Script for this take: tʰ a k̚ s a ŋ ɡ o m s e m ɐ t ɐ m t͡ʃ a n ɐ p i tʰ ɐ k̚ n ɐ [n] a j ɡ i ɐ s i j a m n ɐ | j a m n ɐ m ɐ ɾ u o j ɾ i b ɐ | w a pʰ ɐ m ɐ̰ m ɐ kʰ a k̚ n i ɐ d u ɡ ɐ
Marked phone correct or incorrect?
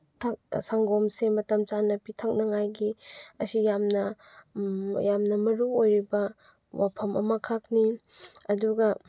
incorrect: ŋ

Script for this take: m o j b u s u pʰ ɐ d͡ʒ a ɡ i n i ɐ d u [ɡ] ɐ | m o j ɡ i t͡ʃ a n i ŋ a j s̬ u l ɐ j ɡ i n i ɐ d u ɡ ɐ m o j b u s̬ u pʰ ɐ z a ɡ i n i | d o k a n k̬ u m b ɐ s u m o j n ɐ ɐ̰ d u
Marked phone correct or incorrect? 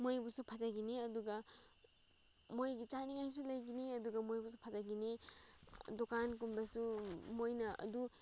correct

